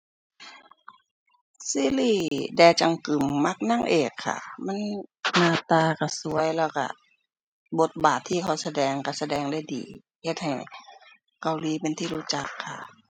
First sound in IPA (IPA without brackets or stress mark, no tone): s